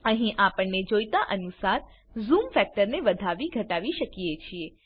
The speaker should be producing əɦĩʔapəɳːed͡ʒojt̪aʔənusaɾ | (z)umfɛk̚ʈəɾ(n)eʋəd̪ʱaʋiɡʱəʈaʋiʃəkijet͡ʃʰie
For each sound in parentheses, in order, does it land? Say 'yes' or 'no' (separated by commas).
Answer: yes, yes